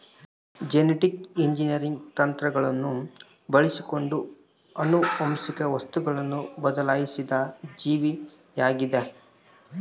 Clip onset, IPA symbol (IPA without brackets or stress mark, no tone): d͡ʒ